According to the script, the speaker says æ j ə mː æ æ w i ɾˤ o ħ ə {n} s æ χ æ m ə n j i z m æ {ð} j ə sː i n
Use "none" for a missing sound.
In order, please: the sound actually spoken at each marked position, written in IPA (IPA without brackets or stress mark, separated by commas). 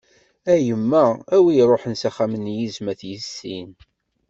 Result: n, θ